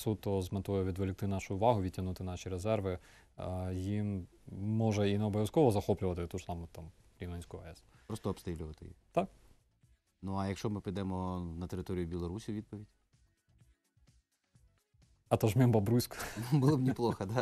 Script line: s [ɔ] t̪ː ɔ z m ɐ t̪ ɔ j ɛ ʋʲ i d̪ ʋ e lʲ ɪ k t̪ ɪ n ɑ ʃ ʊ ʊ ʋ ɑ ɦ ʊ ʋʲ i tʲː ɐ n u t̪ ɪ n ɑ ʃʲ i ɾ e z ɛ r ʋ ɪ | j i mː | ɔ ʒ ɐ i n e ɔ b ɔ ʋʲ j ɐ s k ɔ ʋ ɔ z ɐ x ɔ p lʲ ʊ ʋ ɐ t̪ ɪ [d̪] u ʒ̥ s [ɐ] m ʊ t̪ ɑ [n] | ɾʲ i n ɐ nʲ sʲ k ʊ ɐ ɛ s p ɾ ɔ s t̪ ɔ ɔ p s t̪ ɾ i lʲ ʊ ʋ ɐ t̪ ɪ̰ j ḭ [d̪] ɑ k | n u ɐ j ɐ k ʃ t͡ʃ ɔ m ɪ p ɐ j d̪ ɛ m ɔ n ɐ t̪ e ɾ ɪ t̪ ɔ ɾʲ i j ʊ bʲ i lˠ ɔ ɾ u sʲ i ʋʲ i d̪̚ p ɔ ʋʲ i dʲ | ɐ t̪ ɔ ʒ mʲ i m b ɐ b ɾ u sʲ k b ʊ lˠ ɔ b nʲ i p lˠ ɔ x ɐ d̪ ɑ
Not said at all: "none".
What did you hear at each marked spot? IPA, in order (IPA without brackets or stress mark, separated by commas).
u, t̪, ɑ, m, t̪